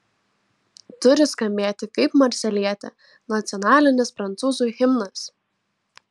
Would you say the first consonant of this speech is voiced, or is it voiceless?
voiceless